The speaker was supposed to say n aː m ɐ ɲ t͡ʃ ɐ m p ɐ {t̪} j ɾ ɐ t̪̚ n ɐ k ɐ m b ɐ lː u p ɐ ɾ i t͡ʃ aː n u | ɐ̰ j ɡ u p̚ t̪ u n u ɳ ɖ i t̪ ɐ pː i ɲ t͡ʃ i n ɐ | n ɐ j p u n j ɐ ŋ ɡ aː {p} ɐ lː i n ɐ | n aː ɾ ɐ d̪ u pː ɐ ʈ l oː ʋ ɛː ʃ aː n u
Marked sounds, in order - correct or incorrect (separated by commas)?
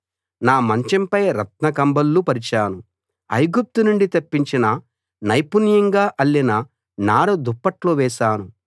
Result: incorrect, incorrect